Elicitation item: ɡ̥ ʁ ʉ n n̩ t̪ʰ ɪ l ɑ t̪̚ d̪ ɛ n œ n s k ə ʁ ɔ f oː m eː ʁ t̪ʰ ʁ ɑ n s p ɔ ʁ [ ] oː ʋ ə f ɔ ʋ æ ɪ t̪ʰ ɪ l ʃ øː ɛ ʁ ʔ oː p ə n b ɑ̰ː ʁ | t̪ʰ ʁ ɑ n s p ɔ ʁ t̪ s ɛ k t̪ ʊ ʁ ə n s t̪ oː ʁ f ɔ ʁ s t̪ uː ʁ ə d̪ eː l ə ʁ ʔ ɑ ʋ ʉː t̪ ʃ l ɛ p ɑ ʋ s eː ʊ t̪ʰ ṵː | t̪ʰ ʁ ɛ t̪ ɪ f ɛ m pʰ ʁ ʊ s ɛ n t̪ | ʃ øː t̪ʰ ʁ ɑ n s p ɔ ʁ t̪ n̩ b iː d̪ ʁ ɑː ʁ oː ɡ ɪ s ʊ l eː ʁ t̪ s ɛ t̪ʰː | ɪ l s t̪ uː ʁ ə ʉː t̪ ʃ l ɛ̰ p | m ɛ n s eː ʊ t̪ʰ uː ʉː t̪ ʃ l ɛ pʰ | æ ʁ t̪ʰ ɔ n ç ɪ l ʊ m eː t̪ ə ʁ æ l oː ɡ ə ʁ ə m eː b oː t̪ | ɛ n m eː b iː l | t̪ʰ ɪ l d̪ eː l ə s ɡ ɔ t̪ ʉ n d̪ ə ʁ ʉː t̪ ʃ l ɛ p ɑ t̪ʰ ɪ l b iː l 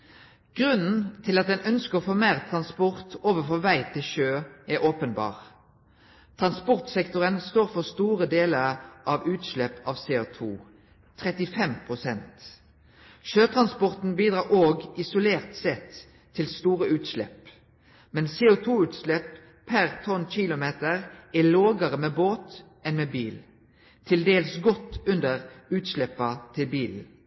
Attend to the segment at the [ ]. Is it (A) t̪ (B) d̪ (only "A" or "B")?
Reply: A